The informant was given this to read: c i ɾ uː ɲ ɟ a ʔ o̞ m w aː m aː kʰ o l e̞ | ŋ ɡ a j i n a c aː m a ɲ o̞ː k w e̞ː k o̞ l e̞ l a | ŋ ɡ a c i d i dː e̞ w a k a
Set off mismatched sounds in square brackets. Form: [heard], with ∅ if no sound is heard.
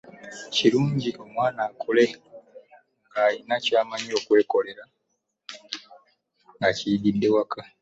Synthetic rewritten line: c i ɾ uː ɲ ɟ [i] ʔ o̞ m w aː [n] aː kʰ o l e̞ | ŋ ɡ a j i n a c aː m a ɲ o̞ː k w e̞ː k o̞ l e̞ [ɾ] a | ŋ ɡ a c i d i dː e̞ w a k a